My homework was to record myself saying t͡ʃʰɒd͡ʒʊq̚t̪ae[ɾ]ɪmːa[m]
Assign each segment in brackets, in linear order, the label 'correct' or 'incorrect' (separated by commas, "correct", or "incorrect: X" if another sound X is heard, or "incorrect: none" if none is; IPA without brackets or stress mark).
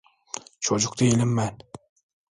incorrect: l, incorrect: n